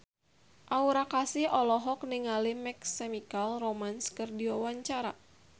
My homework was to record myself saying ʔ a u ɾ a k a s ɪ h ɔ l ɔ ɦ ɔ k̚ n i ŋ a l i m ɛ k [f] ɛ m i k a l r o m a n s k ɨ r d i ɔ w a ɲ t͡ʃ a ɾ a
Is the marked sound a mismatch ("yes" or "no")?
yes